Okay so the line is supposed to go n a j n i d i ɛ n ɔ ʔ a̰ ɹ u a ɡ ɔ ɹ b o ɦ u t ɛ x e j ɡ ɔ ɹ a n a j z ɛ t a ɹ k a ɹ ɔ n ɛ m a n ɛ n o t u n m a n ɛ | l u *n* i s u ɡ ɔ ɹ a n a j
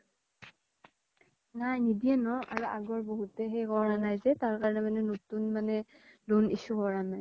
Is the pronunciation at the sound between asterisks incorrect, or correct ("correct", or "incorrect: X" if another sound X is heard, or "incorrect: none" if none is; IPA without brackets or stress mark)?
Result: correct